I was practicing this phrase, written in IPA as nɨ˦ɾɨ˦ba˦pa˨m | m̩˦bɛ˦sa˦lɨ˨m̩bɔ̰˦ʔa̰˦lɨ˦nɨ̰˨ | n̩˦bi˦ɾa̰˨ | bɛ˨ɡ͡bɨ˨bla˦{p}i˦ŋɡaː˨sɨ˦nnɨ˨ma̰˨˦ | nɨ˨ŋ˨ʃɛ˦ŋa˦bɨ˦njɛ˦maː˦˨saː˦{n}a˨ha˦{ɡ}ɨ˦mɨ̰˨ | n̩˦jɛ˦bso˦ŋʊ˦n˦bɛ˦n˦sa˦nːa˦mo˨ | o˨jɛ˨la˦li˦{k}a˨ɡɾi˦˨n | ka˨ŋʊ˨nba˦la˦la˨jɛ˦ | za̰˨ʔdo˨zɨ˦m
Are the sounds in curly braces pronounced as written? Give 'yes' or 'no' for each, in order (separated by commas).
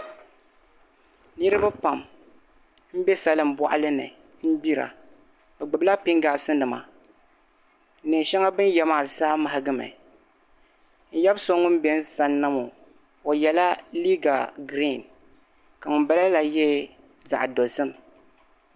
yes, no, yes, no